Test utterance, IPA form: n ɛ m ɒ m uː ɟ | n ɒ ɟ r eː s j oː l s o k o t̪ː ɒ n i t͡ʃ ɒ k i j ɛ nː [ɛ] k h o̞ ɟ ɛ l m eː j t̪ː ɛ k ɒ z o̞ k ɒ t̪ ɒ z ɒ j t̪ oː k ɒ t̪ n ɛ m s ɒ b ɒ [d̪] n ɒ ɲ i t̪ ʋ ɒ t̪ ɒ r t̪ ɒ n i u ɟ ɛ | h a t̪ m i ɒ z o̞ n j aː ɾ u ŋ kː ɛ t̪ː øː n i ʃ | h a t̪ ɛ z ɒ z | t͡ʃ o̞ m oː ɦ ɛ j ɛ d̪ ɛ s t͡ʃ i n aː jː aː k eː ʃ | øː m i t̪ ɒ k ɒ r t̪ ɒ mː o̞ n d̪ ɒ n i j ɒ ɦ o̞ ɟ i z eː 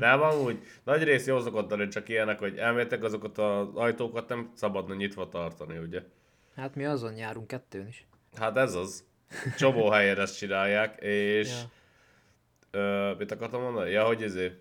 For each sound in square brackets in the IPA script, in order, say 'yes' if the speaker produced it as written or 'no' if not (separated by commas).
yes, yes